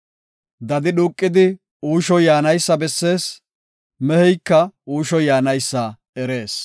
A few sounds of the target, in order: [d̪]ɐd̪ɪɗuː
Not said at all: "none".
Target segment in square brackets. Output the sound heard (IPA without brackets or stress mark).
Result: d̪